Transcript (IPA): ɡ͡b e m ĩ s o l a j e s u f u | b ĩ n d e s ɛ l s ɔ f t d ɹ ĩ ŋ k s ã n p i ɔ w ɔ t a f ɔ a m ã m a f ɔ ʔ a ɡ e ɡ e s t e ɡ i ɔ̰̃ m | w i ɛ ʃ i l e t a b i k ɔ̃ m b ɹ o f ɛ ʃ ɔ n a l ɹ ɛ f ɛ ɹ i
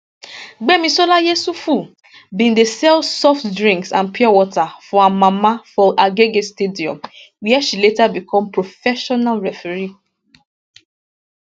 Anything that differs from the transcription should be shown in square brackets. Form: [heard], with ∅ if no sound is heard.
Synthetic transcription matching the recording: ɡ͡b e m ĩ s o l a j e s u f u | b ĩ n d e s ɛ l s ɔ f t d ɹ ĩ ŋ k s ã n p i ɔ w ɔ t a f ɔ a m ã m a f ɔ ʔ a ɡ e ɡ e s t e [d] i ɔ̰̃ m | w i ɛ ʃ i l e t a b i k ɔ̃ m [p] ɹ o f ɛ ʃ ɔ n a l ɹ ɛ f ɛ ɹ i